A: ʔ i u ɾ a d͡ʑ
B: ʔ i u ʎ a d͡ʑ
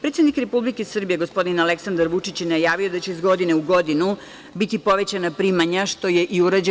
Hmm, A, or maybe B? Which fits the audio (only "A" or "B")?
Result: A